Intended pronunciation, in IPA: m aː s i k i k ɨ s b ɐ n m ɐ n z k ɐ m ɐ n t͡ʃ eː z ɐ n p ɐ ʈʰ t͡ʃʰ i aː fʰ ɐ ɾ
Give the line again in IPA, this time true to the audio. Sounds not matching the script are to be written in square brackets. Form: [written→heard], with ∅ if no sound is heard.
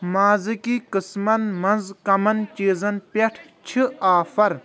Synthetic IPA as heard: m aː [s→z] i k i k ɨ s [b→m] ɐ n m ɐ n z k ɐ m ɐ n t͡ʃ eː z ɐ n p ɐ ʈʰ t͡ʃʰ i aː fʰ ɐ ɾ